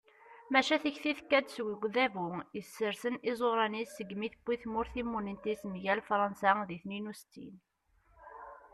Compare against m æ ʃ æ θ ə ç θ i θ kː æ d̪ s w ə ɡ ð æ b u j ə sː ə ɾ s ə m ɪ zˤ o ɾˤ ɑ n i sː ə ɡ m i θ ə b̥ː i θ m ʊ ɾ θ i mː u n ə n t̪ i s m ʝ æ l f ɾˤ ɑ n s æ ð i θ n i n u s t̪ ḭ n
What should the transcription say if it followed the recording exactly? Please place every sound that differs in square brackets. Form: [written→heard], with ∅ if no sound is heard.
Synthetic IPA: m æ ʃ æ θ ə ç θ i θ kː æ d̪ s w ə ɡ ð æ [b→v] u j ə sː ə ɾ s ə [m→n] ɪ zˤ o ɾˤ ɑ n i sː ə ɡ m i θ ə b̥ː i θ m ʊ ɾ θ i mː u n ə n t̪ i s m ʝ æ l f ɾˤ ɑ n s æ ð i θ n i n u s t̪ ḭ n